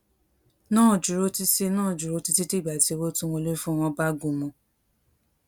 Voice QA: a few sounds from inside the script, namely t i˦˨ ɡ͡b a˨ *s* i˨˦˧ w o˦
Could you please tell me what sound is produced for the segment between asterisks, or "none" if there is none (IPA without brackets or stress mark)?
t